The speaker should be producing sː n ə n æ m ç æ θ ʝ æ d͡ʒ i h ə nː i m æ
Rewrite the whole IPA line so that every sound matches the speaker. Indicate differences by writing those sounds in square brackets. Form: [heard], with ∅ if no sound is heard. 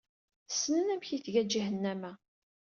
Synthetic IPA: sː n ə n æ m ç [i] θ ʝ æ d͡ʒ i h ə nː [æ] m æ